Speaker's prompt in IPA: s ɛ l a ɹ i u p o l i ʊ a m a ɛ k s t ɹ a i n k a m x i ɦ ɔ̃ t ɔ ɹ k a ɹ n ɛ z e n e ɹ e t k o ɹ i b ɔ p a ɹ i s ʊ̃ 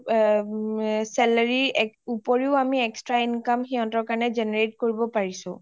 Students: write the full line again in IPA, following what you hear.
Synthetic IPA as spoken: s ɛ l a ɹ i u p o ɹ i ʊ a m i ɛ k s t ɹ a i n k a m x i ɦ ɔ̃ t ɔ ɹ k a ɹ n ɛ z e n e ɹ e t k o ɹ i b ɔ p a ɹ i s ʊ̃